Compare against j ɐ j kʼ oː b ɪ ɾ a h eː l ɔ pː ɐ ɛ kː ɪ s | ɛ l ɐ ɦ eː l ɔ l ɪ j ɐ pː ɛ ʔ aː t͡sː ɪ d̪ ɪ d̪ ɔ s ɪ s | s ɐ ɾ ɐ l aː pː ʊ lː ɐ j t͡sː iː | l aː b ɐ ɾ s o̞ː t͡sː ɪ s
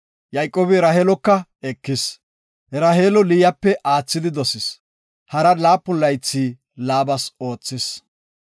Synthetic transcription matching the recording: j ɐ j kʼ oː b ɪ ɾ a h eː l ɔ kː ɐ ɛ kː ɪ s | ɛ ɾ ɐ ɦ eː l ɔ l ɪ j ɐ pː ɛ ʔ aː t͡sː ɪ d̪ ɪ d̪ ɔ s ɪ s | h ɐ ɾ ɐ l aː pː ʊ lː ɐ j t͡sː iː | l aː b ɐ s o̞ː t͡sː ɪ s